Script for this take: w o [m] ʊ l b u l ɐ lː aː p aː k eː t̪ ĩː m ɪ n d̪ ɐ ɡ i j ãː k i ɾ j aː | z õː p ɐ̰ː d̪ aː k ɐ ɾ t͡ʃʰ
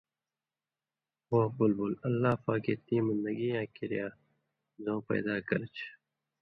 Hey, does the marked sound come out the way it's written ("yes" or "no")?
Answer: no